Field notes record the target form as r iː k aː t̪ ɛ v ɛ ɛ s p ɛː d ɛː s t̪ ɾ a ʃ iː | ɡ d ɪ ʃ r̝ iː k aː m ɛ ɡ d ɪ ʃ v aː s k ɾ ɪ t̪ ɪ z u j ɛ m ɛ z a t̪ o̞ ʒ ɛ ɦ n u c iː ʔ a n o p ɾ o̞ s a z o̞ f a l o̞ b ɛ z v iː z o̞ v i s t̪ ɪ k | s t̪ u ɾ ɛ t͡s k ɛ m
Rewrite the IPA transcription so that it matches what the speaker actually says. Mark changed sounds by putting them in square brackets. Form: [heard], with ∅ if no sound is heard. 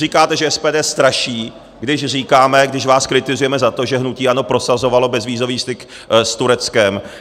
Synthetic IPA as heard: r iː k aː t̪ ɛ [ʒ] ɛ ɛ s p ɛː d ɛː s t̪ ɾ a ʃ iː | ɡ d ɪ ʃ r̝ iː k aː m ɛ ɡ d ɪ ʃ v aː s k ɾ ɪ t̪ ɪ z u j ɛ m ɛ z a t̪ o̞ ʒ ɛ ɦ n u c iː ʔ a n o p ɾ o̞ s a z o̞ [v] a l o̞ b ɛ z v iː z o̞ v [iː] s t̪ ɪ k | s t̪ u ɾ ɛ t͡s k ɛ m